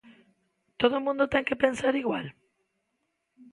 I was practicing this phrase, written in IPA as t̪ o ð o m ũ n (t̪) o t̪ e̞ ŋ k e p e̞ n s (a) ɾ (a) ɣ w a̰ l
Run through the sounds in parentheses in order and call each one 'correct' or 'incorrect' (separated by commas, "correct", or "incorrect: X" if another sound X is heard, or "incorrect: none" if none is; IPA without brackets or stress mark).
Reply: incorrect: d̪, correct, incorrect: i